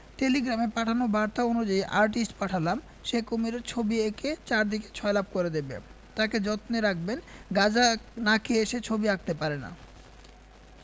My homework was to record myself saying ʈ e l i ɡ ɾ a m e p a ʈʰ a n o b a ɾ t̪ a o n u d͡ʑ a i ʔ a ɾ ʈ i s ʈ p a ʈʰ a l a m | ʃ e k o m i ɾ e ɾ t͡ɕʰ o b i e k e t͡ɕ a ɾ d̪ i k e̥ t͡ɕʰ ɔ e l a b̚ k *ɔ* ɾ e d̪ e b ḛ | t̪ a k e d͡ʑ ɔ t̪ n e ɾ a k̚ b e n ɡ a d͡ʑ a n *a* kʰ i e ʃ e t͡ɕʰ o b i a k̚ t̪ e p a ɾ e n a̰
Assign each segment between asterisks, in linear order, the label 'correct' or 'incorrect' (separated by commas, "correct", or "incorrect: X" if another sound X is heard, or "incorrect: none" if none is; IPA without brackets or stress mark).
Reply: incorrect: o, correct